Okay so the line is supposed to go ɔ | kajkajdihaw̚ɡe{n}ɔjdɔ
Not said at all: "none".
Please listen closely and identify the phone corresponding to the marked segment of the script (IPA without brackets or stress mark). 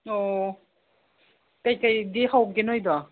n